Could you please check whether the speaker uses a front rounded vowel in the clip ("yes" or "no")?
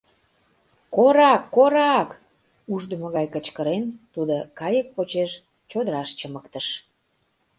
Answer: no